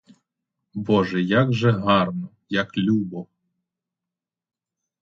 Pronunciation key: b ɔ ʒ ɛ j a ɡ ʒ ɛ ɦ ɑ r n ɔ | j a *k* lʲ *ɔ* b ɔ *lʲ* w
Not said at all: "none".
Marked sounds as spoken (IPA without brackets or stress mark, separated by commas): k, u, none